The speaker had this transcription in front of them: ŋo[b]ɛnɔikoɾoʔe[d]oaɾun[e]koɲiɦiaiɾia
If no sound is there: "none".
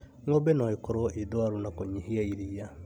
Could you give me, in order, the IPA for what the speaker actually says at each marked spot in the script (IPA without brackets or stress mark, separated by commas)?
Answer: b, d, a